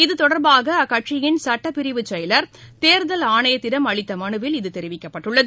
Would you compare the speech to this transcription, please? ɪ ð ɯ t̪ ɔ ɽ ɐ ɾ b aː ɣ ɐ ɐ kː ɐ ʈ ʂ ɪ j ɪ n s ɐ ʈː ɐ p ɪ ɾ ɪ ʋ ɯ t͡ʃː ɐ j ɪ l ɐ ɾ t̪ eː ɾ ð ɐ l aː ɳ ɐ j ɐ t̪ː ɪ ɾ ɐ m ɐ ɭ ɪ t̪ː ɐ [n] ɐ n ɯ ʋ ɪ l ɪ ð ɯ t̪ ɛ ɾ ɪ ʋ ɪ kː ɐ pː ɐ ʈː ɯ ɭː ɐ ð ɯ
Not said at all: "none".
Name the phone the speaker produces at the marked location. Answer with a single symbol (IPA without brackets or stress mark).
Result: m